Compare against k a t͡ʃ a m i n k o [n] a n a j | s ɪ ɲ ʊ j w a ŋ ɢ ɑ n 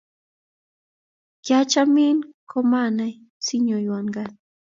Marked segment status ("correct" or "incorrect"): incorrect